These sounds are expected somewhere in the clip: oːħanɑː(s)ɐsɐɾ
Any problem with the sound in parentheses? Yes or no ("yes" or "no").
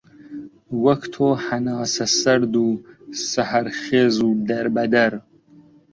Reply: no